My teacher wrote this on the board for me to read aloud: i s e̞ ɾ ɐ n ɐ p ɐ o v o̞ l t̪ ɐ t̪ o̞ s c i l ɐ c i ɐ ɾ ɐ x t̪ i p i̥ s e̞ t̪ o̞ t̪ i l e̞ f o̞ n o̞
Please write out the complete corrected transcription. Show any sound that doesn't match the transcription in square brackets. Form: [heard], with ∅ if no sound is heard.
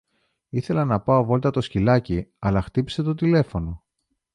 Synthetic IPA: i [θ] e̞ [l] ɐ n ɐ p ɐ o v o̞ l t̪ ɐ t̪ o̞ s c i l ɐ c i ɐ [l] ɐ x t̪ i p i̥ s e̞ t̪ o̞ t̪ i l e̞ f o̞ n o̞